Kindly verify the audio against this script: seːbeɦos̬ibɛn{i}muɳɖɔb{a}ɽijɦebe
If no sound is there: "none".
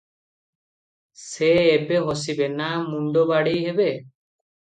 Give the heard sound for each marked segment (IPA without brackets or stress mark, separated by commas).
a, a